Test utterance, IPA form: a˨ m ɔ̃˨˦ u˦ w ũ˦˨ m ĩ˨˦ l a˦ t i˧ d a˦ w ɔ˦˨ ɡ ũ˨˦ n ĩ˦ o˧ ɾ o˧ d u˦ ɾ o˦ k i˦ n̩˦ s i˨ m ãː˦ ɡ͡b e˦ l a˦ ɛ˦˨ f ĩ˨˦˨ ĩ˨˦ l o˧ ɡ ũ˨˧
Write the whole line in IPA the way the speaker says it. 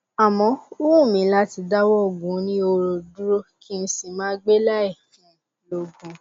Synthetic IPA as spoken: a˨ m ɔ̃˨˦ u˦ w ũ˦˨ m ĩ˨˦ l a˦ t i˧ d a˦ w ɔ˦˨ ɡ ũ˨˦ n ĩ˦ o˧ ɾ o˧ d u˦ ɾ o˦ k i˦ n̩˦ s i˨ m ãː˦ ɡ͡b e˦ l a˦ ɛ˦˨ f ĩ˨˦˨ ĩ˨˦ l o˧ ɡ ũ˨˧